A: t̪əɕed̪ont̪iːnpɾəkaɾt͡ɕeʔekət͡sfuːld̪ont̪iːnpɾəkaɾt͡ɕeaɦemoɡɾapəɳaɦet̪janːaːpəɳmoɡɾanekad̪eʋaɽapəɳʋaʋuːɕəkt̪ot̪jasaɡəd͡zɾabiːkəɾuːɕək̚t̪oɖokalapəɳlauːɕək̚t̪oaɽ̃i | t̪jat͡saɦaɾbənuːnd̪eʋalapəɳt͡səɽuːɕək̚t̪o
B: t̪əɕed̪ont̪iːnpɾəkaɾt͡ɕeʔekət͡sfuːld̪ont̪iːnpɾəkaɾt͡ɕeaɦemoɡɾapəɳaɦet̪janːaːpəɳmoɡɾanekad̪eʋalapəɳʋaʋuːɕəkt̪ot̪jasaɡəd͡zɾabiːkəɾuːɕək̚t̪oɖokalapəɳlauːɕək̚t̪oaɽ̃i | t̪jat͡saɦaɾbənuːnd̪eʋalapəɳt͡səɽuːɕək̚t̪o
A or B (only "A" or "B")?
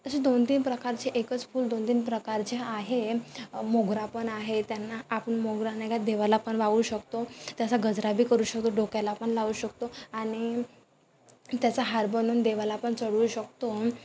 B